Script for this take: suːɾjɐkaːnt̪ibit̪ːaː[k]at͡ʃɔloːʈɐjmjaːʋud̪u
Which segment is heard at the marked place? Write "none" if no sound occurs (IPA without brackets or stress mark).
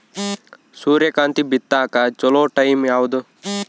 k